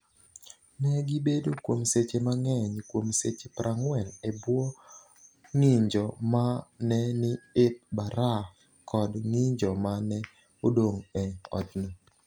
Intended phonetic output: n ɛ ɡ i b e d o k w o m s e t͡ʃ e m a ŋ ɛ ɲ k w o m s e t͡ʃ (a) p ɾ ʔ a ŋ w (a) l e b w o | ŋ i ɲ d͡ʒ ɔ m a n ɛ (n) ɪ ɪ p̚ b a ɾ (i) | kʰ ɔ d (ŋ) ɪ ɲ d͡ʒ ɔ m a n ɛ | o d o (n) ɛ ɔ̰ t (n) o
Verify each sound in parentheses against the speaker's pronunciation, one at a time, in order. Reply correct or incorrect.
incorrect, incorrect, correct, incorrect, correct, incorrect, correct

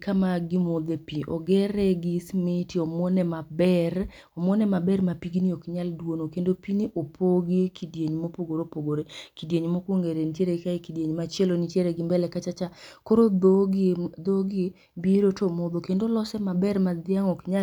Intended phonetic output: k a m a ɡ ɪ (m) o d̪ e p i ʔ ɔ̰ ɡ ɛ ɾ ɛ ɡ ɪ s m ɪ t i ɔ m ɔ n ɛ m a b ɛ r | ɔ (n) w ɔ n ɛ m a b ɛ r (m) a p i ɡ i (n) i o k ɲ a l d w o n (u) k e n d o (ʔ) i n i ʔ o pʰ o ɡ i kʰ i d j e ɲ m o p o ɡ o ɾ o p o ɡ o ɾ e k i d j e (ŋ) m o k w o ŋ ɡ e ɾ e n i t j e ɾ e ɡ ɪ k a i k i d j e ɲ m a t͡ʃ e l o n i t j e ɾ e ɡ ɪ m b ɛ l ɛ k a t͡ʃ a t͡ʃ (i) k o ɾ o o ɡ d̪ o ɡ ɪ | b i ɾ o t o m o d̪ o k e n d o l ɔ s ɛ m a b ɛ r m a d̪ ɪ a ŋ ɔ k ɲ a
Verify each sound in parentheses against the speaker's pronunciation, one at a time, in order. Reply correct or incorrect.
correct, incorrect, correct, correct, incorrect, incorrect, incorrect, incorrect

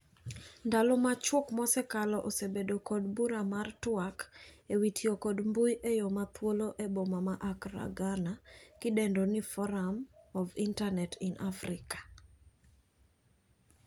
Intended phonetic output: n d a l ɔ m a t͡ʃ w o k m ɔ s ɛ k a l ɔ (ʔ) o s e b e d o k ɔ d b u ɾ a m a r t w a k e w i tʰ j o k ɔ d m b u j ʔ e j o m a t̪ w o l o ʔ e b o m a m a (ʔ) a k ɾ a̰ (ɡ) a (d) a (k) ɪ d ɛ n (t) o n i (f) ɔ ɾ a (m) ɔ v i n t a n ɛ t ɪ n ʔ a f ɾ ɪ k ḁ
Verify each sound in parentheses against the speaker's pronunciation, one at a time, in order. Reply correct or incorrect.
correct, correct, correct, incorrect, correct, incorrect, correct, correct

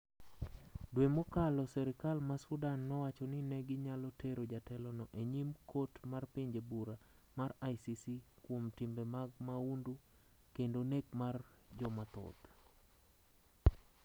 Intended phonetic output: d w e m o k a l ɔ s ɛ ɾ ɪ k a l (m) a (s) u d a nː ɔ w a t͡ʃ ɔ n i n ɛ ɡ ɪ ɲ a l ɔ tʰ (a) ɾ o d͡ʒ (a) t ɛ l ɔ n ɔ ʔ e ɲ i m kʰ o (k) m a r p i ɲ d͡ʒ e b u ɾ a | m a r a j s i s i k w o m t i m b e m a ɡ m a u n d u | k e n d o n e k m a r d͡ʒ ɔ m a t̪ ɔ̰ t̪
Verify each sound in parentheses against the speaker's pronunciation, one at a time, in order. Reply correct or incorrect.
correct, correct, incorrect, correct, incorrect

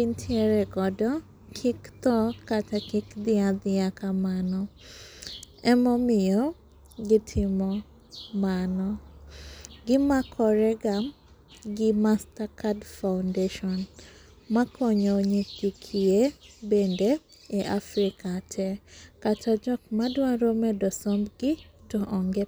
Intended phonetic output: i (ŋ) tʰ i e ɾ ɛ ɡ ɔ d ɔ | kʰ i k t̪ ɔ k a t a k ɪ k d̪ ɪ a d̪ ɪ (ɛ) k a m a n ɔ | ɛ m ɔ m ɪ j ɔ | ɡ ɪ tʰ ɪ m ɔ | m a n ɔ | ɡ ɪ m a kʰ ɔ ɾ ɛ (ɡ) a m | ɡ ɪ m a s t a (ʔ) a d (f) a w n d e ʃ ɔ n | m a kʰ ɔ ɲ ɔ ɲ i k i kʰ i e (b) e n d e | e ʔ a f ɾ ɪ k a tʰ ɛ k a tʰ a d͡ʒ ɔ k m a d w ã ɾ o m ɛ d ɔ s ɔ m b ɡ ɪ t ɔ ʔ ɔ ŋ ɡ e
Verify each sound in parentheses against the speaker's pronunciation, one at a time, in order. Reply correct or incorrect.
incorrect, incorrect, correct, incorrect, correct, correct

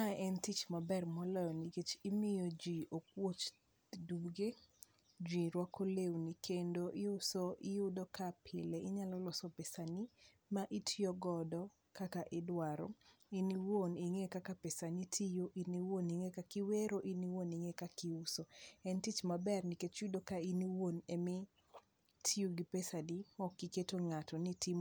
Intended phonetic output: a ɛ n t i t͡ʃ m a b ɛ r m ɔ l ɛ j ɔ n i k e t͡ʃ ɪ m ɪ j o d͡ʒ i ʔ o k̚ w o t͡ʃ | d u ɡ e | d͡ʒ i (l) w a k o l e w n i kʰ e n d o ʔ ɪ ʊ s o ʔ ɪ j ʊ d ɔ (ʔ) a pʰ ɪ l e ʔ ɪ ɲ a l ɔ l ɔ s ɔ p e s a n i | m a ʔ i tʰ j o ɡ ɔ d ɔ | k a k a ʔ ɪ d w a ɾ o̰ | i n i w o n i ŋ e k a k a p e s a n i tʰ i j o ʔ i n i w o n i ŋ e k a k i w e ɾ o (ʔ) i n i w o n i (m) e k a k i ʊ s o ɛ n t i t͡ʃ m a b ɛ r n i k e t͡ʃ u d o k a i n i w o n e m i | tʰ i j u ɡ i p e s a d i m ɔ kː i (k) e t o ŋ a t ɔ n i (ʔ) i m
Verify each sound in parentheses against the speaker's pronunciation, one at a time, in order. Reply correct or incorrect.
incorrect, incorrect, correct, incorrect, correct, incorrect

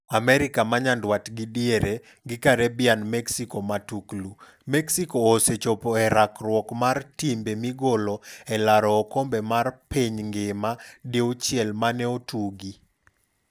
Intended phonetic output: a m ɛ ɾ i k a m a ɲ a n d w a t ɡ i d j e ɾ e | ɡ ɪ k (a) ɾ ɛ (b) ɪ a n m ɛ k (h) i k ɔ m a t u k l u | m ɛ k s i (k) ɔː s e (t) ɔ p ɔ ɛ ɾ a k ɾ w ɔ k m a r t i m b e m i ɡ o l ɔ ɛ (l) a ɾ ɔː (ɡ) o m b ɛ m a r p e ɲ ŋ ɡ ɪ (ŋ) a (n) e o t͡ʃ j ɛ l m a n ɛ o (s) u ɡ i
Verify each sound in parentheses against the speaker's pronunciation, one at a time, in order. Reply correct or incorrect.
correct, correct, incorrect, correct, incorrect, correct, incorrect, incorrect, incorrect, incorrect

